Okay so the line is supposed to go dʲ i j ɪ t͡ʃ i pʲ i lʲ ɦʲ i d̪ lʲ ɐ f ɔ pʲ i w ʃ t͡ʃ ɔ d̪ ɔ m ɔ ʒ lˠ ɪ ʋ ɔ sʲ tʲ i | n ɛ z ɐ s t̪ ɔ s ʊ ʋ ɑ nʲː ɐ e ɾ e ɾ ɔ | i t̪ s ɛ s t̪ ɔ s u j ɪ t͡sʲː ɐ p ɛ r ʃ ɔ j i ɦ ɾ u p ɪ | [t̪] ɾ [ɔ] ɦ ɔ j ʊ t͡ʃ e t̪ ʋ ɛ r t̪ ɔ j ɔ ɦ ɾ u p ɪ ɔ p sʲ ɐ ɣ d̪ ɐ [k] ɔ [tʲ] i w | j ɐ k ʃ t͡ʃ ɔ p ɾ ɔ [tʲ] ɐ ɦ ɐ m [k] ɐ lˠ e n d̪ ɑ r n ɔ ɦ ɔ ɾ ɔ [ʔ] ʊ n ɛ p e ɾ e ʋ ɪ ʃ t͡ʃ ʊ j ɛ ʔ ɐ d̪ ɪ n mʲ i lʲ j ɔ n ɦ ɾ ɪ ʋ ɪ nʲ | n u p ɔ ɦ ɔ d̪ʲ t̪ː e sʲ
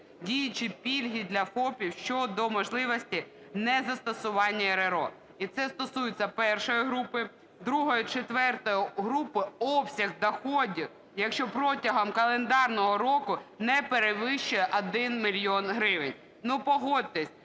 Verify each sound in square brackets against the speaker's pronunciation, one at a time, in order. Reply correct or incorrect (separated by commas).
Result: incorrect, incorrect, incorrect, incorrect, correct, correct, incorrect